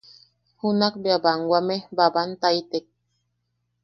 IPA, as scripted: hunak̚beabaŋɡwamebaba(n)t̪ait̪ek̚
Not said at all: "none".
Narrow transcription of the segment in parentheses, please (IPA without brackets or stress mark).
n